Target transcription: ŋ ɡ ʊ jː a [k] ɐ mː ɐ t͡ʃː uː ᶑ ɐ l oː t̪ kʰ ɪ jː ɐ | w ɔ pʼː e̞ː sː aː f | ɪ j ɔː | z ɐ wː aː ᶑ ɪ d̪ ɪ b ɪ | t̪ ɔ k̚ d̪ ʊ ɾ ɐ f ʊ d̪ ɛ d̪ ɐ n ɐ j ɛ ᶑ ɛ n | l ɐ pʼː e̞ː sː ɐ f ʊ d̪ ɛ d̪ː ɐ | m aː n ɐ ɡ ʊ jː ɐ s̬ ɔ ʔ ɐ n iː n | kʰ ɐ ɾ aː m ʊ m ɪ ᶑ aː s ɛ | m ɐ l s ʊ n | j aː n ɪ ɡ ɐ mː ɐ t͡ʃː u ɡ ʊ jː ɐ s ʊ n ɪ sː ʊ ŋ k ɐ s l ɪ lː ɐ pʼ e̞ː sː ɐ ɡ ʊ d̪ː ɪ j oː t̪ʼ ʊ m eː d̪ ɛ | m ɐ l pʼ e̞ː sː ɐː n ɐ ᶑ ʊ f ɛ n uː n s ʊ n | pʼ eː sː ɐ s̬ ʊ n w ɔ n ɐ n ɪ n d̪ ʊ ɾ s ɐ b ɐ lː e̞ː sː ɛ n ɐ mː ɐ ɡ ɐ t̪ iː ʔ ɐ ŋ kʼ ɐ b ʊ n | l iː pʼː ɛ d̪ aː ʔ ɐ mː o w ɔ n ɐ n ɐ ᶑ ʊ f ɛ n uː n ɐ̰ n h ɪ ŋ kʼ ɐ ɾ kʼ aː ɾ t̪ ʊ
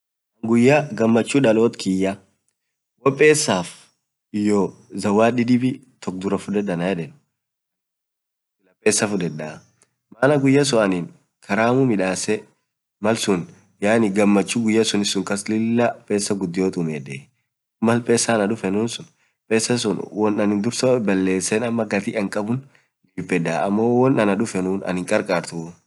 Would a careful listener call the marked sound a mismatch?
yes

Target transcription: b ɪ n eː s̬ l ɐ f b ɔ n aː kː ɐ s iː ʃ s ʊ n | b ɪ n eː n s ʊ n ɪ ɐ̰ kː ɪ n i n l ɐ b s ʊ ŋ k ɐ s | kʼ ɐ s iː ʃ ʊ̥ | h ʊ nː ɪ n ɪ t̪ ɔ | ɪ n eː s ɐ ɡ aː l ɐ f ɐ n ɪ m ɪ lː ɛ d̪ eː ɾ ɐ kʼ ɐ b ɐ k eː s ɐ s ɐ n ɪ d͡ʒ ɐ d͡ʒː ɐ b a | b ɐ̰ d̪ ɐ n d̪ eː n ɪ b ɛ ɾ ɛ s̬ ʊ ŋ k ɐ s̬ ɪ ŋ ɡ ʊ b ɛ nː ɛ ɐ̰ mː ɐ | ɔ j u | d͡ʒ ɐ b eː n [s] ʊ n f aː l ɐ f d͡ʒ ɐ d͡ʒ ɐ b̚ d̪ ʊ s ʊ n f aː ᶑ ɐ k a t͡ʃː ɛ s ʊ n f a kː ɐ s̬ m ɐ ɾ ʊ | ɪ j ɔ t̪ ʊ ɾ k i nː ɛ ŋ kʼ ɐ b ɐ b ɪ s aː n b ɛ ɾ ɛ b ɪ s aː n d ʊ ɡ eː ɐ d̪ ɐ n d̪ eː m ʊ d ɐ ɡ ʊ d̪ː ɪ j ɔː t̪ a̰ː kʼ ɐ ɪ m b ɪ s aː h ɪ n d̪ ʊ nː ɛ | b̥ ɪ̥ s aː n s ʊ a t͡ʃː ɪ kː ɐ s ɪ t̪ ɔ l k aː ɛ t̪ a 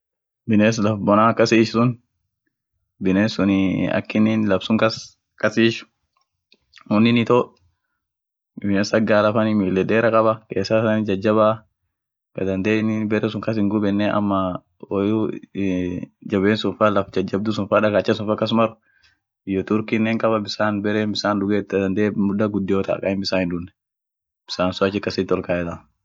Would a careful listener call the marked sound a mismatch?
no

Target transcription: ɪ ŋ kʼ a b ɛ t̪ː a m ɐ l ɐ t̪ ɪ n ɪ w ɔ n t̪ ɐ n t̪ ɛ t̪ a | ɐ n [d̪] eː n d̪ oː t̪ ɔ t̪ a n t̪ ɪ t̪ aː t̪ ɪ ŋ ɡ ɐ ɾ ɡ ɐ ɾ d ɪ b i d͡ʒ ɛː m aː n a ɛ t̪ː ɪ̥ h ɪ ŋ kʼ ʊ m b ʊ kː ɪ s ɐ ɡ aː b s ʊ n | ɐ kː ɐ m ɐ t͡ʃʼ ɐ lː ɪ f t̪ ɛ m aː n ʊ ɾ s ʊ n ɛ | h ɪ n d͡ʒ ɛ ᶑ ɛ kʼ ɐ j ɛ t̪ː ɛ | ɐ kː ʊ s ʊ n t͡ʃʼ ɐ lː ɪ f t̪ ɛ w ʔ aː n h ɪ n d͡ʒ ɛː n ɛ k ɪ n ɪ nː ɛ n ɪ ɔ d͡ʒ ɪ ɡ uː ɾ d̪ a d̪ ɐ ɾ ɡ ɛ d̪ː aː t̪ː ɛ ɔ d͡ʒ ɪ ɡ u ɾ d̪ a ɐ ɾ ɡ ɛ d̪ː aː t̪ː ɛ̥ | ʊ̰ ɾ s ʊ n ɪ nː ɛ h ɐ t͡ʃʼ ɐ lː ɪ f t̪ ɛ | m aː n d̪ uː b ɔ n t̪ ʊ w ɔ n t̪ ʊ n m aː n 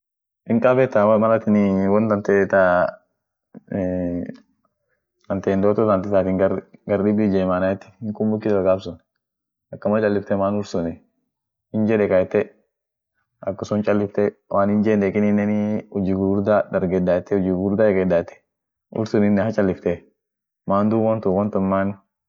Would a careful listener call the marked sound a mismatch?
yes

